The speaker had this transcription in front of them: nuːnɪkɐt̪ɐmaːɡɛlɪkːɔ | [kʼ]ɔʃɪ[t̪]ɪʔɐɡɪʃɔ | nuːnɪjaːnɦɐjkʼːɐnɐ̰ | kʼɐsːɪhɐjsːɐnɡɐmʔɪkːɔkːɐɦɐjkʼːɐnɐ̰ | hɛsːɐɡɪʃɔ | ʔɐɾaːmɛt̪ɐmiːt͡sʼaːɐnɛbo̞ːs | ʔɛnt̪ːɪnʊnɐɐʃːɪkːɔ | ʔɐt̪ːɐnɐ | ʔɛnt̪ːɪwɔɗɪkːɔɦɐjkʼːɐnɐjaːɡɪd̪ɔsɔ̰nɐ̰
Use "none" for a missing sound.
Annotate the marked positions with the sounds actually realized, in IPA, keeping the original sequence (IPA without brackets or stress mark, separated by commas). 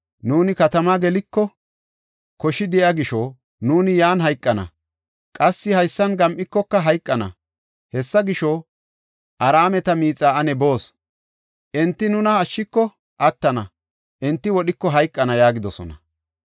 k, d̪